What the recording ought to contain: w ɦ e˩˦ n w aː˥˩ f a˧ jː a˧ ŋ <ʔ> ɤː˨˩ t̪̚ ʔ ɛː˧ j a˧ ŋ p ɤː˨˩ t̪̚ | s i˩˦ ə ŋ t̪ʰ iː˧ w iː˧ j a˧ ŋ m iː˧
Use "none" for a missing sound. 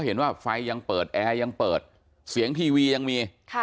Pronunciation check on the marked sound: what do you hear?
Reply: p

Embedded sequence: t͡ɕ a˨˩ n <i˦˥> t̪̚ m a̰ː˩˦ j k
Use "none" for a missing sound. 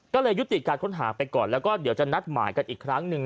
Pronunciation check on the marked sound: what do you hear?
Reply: a˦˥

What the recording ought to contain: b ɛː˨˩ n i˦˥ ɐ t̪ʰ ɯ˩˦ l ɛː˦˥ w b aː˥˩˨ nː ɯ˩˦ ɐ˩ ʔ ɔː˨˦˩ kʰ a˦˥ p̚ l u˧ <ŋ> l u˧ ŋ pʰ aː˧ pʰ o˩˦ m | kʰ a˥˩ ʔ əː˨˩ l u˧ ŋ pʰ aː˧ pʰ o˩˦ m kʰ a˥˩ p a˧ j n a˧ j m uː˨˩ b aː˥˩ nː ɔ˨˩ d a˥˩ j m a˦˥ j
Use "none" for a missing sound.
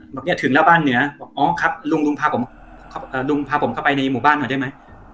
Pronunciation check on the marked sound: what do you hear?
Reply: ŋ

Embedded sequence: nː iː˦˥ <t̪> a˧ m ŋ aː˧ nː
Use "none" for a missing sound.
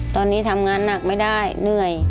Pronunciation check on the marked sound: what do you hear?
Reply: t̪ʰ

